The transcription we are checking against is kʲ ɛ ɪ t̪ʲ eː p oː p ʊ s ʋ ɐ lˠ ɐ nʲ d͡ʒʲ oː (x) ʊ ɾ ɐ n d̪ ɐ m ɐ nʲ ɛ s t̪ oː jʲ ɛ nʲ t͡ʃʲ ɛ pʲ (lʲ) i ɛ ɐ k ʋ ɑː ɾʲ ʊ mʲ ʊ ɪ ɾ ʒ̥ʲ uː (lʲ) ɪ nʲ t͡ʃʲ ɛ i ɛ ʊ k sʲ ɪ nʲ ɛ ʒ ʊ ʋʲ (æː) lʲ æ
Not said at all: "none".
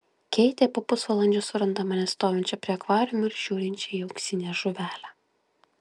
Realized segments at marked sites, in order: s, ɾʲ, ɾʲ, æː

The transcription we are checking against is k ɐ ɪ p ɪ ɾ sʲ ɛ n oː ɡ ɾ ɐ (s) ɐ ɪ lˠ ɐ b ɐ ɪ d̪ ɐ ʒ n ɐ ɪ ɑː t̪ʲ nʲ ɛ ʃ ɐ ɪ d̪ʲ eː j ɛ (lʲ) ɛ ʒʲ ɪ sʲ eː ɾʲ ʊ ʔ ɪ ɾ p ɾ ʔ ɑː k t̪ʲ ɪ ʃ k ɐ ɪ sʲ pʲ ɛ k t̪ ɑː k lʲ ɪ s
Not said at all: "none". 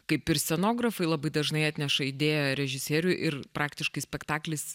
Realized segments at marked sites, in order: f, ɾʲ

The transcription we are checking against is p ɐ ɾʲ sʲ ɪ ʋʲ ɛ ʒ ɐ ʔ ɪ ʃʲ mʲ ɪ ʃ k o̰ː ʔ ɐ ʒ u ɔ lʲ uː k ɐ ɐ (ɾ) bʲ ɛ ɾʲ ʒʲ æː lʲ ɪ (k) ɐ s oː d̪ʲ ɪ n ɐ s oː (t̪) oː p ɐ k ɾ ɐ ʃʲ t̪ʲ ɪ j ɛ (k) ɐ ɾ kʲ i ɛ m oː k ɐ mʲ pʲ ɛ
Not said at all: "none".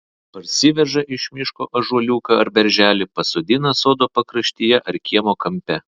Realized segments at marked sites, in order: ɾ, p, d̪, ʔ

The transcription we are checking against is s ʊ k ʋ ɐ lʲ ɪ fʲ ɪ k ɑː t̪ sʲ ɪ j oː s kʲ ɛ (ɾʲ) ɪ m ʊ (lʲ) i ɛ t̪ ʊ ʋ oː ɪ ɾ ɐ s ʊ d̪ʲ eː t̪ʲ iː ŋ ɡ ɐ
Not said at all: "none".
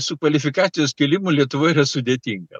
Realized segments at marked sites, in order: lʲ, lʲ

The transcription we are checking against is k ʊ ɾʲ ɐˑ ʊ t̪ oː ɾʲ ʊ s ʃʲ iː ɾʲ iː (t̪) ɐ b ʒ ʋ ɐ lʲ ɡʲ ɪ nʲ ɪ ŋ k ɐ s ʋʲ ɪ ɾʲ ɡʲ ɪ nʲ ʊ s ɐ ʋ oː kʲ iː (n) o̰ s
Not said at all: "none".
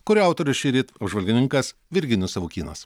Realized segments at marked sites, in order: t̪, n

